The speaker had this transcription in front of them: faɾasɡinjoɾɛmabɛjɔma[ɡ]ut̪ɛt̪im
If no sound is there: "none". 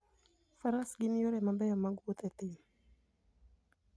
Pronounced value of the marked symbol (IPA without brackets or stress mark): ɡ